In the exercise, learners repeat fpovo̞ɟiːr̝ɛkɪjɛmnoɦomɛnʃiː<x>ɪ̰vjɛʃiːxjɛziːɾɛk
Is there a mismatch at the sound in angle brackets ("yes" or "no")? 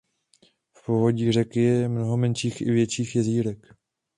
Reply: no